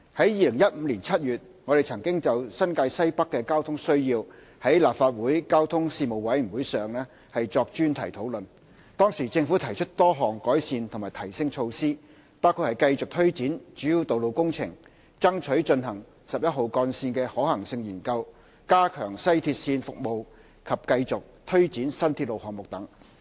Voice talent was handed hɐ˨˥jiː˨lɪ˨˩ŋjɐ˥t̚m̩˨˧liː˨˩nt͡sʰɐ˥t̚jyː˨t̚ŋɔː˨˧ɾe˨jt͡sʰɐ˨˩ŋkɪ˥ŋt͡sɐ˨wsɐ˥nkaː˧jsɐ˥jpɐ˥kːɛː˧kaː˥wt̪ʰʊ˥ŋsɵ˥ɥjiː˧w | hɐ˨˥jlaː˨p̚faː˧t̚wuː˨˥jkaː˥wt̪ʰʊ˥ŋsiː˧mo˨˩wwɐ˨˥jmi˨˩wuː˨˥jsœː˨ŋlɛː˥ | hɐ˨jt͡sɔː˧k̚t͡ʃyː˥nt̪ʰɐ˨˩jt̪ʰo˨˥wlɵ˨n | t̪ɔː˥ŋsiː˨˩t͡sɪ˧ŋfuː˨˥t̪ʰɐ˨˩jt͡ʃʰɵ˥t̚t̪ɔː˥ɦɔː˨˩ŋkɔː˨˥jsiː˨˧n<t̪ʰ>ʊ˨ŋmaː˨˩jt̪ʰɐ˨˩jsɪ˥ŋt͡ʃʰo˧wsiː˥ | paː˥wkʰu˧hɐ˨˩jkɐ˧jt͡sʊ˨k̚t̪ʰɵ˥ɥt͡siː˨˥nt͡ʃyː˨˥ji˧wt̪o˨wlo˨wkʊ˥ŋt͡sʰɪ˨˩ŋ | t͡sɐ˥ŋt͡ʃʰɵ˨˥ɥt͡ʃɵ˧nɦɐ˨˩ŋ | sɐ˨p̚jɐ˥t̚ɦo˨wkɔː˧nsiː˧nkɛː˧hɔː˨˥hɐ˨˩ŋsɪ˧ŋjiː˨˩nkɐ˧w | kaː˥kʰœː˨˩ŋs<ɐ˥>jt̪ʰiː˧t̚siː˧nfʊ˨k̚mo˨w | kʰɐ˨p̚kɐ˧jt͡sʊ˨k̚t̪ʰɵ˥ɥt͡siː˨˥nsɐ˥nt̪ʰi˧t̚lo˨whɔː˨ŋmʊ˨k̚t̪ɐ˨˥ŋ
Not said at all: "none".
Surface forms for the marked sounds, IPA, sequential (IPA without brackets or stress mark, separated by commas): t̪ʰ, ɐ˥